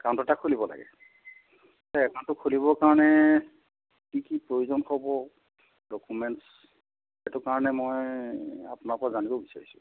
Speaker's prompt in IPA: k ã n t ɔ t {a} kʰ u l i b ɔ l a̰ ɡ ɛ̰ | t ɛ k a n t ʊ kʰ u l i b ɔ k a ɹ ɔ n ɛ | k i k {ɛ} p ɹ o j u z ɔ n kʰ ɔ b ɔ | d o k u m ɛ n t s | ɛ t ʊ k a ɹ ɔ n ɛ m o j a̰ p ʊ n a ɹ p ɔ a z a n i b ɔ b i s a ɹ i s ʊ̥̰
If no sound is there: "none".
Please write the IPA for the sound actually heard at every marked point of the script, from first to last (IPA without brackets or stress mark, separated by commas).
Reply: a, i